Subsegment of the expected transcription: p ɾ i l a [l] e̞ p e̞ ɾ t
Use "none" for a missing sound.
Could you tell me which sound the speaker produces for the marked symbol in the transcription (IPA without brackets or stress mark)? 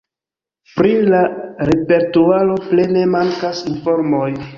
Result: ɾ